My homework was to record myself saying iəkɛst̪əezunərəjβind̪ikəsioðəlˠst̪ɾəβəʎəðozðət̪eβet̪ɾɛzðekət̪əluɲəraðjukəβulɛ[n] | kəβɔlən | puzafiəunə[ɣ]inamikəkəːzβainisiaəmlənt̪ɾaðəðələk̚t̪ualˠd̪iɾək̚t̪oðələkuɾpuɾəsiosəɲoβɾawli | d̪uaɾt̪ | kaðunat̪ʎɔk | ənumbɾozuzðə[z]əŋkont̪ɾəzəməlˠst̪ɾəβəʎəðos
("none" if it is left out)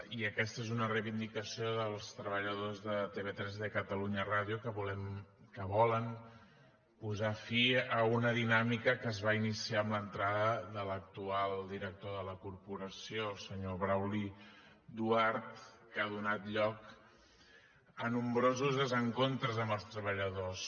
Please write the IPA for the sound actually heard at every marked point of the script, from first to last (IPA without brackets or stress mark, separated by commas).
m, ð, z